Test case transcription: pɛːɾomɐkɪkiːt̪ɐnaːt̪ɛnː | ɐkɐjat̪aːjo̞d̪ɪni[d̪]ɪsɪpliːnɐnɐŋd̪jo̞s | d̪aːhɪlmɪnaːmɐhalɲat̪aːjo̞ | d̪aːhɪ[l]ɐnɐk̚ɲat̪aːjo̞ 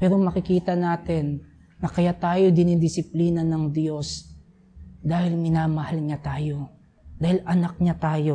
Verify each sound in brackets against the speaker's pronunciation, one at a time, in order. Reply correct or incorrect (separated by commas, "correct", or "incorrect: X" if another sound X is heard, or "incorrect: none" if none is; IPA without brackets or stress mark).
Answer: correct, correct